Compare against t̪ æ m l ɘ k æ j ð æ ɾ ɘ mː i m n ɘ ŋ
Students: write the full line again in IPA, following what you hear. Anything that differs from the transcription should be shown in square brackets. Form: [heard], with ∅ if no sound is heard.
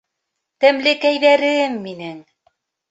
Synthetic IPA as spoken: t̪ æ m l ɘ k æ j ð æ ɾ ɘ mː i [∅] n ɘ ŋ